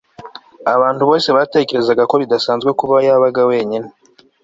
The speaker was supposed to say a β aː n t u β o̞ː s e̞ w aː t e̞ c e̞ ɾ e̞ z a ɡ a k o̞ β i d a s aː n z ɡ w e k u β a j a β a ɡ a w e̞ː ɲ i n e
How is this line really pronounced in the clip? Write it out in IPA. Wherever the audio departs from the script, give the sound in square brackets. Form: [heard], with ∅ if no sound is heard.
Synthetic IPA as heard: a β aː n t u β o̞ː s e̞ [β] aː t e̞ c e̞ ɾ e̞ z a ɡ a k o̞ β i d a s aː n z ɡ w e k u β a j a β a ɡ a w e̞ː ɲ i n e